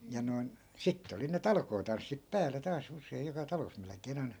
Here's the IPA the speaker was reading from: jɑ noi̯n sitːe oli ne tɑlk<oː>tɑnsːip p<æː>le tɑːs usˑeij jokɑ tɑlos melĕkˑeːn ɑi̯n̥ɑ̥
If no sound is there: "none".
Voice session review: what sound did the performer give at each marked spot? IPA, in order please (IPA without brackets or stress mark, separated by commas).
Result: oː, æː